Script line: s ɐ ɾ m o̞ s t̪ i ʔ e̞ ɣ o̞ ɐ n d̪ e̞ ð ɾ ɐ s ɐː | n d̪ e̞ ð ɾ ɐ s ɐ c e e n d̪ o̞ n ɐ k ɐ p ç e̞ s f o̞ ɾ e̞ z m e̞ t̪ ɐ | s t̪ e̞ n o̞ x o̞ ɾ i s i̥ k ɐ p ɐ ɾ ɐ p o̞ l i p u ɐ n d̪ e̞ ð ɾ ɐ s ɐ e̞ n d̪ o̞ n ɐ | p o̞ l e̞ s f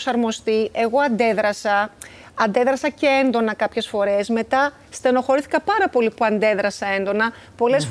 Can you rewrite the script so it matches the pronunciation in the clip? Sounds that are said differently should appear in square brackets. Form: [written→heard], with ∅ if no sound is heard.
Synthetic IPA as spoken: s ɐ ɾ m o̞ s t̪ i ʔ e̞ ɣ o̞ ɐ n d̪ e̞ ð ɾ ɐ s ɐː | n d̪ e̞ ð ɾ ɐ s ɐ c e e n d̪ o̞ n ɐ k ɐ p ç e̞ s f o̞ ɾ e̞ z m e̞ t̪ ɐ | s t̪ e̞ n o̞ x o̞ ɾ i [s→θ] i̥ k ɐ p ɐ ɾ ɐ p o̞ l i p u ɐ n d̪ e̞ ð ɾ ɐ s ɐ e̞ n d̪ o̞ n ɐ | p o̞ l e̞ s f